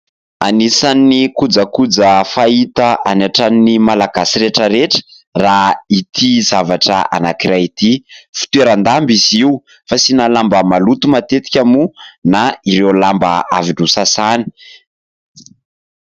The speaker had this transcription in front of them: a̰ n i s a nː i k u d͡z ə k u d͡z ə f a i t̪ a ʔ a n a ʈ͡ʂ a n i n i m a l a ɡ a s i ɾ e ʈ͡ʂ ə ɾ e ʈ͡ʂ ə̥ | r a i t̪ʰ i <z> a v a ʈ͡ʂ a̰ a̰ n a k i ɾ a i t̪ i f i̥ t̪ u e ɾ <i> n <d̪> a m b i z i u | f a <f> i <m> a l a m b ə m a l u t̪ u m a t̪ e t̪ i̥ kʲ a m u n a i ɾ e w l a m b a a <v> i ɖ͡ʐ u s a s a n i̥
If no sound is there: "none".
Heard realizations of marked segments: z, a, d̪, s, n, v

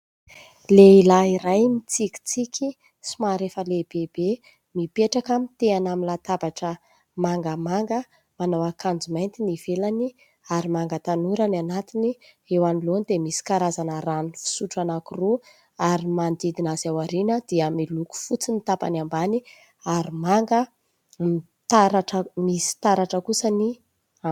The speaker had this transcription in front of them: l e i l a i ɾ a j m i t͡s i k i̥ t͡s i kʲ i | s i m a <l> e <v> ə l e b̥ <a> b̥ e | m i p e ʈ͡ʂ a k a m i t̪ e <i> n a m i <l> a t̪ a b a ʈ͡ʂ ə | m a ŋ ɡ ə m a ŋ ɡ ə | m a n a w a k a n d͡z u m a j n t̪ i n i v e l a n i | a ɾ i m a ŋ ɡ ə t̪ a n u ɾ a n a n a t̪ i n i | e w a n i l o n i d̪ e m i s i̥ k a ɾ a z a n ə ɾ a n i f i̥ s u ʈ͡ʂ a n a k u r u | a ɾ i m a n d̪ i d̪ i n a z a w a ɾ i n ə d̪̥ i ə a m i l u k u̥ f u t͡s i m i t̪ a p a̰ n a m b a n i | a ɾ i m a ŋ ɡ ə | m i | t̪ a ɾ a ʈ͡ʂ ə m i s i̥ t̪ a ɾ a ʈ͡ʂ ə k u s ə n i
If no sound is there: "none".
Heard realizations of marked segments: ɾ, f, e, a, l

